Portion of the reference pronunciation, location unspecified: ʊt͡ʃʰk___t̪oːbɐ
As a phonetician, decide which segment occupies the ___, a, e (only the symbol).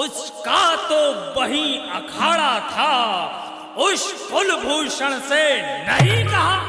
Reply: a